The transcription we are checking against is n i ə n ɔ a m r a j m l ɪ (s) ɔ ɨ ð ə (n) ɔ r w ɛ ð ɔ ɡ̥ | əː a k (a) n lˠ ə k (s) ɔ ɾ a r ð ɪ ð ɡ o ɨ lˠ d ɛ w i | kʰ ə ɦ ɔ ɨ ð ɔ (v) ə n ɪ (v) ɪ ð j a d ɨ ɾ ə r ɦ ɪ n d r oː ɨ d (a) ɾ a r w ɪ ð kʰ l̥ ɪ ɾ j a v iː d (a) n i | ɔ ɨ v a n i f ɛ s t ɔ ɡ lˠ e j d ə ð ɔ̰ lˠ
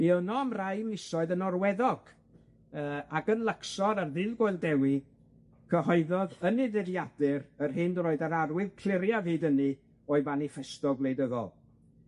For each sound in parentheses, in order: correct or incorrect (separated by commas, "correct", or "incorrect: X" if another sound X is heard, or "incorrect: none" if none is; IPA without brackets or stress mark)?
correct, correct, incorrect: ə, correct, incorrect: ð, incorrect: ð, correct, incorrect: ə